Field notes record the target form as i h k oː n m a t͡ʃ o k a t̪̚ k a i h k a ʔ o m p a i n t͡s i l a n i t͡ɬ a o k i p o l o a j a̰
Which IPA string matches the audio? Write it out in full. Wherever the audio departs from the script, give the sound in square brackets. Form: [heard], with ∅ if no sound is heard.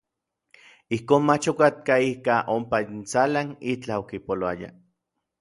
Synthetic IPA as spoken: i h k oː n m a t͡ʃ o k a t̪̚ k a i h k a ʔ o m p a i n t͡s [a] l a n i t͡ɬ a o k i p o l o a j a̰